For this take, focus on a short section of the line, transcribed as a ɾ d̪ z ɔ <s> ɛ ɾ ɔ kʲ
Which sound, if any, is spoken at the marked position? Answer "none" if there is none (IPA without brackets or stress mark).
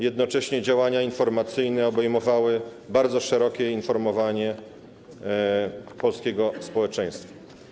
ʂ